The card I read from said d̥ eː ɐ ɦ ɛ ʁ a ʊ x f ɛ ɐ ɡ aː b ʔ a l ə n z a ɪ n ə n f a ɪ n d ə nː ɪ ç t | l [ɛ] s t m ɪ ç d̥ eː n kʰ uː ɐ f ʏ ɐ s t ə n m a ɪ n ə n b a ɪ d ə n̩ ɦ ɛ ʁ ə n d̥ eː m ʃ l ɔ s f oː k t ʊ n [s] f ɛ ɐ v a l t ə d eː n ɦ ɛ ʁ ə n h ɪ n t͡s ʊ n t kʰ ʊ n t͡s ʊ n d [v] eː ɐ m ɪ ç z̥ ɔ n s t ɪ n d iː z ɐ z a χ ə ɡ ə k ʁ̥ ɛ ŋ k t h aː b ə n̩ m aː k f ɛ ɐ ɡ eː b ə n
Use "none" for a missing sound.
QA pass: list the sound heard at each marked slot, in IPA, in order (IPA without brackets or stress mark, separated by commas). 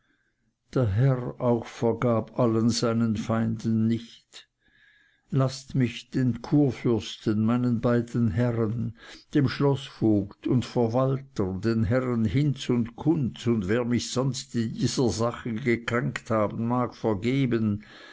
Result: a, t, v